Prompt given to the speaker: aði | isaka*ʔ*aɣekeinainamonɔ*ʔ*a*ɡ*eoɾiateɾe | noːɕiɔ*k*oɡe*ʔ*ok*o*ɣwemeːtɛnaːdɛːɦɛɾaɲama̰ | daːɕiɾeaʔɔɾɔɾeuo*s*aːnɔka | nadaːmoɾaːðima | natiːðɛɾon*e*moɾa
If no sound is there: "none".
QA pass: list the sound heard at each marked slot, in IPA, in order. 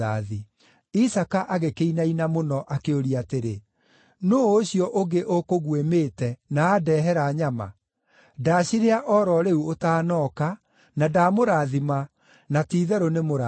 ʔ, ʔ, k, ʔ, ʔ, o, t, e

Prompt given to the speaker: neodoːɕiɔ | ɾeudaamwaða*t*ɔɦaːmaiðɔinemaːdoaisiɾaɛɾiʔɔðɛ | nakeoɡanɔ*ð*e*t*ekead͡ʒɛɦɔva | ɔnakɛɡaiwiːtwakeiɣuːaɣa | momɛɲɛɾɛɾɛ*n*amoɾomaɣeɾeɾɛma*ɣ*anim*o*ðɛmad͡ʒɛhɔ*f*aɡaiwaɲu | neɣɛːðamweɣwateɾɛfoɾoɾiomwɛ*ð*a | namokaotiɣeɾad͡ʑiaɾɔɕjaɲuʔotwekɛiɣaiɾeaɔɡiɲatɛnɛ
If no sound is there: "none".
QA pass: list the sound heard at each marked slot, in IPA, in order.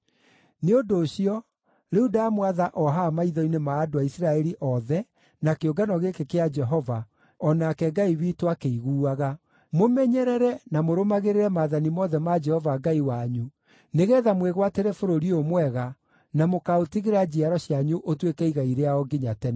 ʔ, ɣ, k, n, ð, ɔ, v, ɣ

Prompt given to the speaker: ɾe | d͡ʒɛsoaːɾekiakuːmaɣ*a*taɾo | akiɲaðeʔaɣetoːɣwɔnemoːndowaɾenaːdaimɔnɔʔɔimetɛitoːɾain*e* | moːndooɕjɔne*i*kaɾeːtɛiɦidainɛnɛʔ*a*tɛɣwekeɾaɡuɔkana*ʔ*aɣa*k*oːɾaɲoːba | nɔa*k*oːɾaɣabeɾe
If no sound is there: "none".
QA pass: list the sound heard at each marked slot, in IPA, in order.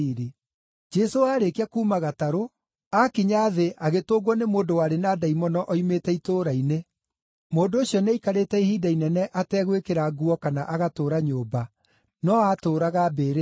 a, e, i, a, ʔ, t, t

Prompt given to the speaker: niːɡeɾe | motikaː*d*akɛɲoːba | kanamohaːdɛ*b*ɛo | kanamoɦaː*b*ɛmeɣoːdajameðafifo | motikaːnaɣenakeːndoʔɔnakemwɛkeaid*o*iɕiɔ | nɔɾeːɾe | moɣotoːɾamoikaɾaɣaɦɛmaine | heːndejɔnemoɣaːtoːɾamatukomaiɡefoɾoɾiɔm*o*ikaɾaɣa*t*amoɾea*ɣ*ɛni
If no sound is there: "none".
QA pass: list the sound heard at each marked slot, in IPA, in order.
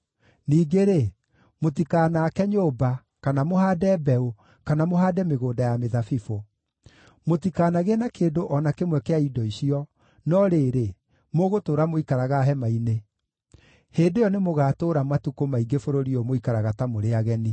n, b, d, ɔ, o, t, ɣ

